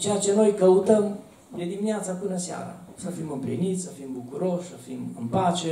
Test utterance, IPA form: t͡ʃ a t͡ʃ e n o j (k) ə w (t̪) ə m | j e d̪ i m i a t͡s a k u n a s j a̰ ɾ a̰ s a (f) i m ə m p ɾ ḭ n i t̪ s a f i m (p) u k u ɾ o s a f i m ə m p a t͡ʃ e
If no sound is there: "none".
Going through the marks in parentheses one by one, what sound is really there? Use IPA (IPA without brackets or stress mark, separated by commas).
k, t̪, f, b